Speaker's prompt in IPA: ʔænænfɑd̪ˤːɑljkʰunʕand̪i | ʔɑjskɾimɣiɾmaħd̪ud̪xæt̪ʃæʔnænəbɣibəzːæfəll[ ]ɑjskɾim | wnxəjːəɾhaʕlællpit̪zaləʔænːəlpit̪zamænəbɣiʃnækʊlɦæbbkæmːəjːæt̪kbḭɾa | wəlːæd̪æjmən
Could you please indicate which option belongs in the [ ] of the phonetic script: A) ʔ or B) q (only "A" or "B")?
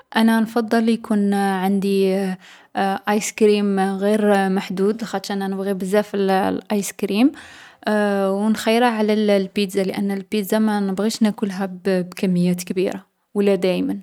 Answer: A